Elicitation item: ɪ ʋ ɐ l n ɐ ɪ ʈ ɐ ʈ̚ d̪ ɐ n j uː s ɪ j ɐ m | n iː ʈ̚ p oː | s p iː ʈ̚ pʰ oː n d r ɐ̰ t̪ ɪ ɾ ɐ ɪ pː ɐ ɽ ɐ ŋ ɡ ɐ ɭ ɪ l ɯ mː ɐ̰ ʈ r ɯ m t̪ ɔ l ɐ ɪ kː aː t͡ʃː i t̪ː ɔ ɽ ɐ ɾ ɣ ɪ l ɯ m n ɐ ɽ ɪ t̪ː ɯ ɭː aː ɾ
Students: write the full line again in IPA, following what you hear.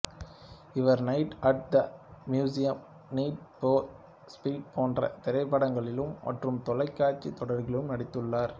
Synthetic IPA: ɪ ʋ ɐ ɾ n ɐ ɪ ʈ ɐ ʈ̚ d̪ ɐ m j uː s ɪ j ɐ m | n iː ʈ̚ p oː | s p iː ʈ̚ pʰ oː n d r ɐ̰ t̪ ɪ ɾ ɐ ɪ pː ɐ ɽ ɐ ŋ ɡ ɐ ɭ ɪ l ɯ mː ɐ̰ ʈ r ɯ m t̪ ɔ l ɐ ɪ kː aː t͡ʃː i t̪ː ɔ ɽ ɐ ɾ ɣ ɪ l ɯ m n ɐ ɽ ɪ t̪ː ɯ ɭː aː ɾ